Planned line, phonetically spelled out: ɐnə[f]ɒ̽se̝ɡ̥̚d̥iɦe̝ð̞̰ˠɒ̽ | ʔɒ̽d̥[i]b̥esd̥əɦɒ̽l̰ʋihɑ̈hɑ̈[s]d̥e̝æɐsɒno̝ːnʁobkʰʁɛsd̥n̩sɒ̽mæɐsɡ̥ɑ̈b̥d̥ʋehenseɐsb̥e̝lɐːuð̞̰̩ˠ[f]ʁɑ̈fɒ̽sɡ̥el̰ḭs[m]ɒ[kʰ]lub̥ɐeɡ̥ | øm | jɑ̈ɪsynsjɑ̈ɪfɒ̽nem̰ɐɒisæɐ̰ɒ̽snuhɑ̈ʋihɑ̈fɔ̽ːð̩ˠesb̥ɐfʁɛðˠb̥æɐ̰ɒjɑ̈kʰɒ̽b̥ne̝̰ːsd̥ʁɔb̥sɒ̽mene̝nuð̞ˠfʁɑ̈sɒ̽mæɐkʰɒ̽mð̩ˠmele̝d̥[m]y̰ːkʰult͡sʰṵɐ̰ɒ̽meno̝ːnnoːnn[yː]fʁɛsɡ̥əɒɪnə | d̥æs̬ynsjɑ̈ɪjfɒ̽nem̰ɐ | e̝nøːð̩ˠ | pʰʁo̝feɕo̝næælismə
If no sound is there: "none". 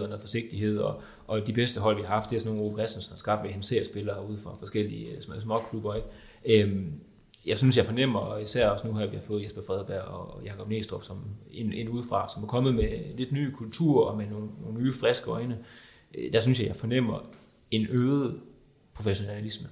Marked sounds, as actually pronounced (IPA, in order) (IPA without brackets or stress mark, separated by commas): f, i, f, f, m, kʰ, n, yː